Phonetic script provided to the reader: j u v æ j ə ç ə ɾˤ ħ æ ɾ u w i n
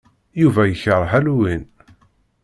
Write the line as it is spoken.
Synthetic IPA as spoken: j u v æ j ə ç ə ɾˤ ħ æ l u w i n